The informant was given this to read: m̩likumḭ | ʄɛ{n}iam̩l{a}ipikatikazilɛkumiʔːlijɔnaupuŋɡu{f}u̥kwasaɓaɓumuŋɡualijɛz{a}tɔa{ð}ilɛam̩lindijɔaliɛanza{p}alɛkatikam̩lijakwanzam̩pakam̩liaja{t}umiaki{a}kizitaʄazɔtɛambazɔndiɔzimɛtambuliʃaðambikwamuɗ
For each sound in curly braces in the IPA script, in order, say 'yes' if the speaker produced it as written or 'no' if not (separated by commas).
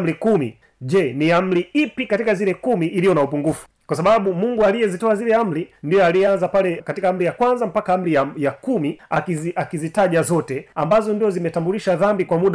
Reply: yes, no, yes, no, no, yes, no, yes